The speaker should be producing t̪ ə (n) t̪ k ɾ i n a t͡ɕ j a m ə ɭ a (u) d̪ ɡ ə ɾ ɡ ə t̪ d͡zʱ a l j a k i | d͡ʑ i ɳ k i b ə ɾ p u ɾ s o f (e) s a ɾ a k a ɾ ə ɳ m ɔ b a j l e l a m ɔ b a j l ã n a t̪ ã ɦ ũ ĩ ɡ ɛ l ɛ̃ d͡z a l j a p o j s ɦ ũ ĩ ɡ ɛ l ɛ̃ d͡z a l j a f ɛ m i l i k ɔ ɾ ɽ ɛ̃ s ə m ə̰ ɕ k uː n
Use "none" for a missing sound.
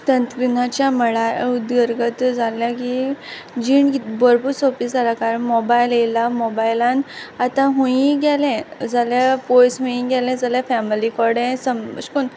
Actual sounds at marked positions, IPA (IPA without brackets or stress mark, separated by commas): n, u, i